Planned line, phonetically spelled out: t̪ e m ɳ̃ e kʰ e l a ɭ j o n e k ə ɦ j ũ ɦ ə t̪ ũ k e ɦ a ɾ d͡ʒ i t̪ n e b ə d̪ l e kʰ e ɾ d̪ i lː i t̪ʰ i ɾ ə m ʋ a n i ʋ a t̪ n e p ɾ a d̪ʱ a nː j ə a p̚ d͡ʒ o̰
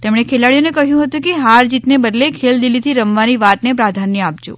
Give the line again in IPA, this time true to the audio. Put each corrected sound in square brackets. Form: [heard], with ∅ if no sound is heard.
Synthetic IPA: t̪ e m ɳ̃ e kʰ e l a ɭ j o n e k ə ɦ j ũ ɦ ə t̪ ũ k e ɦ a ɾ d͡ʒ i t̪ n e b ə d̪ l e kʰ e [l] d̪ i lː i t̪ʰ i ɾ ə m ʋ a n i ʋ a t̪ n e p ɾ a d̪ʱ a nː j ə a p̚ d͡ʒ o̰